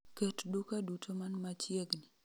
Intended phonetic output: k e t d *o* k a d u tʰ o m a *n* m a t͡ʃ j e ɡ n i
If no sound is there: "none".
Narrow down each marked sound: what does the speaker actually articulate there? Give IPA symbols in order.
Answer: u, n

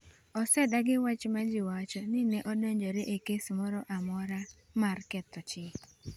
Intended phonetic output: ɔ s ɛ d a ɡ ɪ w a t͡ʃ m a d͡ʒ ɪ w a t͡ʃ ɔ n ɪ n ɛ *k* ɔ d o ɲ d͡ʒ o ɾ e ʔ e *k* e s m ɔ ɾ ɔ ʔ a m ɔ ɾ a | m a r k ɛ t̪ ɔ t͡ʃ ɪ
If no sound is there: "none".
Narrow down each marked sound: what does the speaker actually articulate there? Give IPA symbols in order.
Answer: ʔ, k

